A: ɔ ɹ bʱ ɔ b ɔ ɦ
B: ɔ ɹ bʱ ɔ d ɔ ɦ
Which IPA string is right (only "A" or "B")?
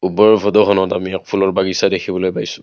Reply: B